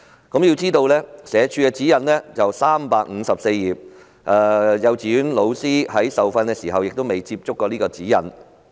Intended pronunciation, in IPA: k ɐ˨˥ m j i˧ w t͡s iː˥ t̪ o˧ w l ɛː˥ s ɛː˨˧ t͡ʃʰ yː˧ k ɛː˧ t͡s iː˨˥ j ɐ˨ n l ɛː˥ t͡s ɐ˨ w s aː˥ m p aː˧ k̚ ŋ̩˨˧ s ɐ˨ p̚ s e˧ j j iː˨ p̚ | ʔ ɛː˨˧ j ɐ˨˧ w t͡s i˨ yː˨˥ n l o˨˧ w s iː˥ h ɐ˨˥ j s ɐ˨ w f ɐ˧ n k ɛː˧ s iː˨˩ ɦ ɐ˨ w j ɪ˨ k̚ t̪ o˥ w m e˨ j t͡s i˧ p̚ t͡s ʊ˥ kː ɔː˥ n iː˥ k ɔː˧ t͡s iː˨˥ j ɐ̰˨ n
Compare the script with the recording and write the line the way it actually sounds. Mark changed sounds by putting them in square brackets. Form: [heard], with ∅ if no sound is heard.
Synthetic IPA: k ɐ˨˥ m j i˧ w t͡s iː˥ t̪ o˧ w l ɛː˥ s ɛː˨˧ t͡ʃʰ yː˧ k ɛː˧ t͡s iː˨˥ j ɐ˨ n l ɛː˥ t͡s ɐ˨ w s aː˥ m p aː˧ k̚ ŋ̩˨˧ s ɐ˨ p̚ s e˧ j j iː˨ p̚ | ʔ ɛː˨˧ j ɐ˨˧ w t͡s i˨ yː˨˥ n l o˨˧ w s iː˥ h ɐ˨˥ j s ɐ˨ w f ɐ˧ n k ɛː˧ s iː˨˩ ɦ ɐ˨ w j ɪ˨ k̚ t̪ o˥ w m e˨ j t͡s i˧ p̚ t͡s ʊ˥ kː [ɔː˧] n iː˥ k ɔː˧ t͡s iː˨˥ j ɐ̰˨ n